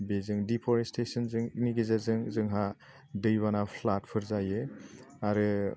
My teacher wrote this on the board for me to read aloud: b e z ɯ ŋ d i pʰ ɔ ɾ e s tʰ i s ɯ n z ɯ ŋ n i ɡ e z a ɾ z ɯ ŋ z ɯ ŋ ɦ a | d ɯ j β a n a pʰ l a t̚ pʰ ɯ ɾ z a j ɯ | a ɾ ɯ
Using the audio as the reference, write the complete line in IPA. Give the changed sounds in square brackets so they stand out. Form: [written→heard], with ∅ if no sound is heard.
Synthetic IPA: b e z ɯ ŋ d i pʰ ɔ ɾ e s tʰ [i→e] s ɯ n z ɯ ŋ n i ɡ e z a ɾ z ɯ ŋ z ɯ ŋ ɦ a | d ɯ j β a n a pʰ l a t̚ pʰ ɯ ɾ z a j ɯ | a ɾ ɯ